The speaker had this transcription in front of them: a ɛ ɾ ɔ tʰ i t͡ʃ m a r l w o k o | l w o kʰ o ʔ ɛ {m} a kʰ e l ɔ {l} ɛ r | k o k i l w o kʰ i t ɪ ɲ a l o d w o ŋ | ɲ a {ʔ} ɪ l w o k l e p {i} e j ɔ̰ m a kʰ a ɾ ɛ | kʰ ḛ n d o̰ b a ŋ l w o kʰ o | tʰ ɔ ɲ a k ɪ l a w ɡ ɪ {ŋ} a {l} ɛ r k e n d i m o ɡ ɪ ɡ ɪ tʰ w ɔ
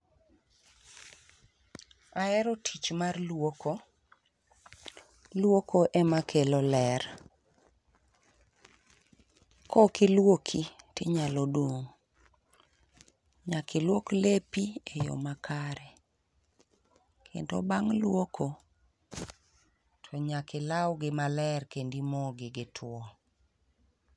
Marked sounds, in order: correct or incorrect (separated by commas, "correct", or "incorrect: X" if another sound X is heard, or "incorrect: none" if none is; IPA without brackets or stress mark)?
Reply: correct, correct, incorrect: k, correct, incorrect: m, correct